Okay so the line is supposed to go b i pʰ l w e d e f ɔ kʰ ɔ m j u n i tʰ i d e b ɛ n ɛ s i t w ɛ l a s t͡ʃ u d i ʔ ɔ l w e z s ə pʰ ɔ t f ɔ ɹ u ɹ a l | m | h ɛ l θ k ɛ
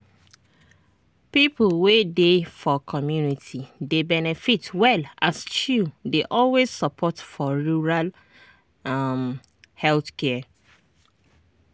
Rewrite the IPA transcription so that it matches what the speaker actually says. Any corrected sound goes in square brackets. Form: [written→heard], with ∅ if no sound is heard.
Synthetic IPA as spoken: [b→p] i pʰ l w e d e f ɔ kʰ ɔ m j u n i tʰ i d e b ɛ n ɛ [s→f] i t w ɛ l a s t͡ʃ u d [i→e] ʔ ɔ l w e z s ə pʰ ɔ t f ɔ ɹ u ɹ a l | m | h ɛ l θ k ɛ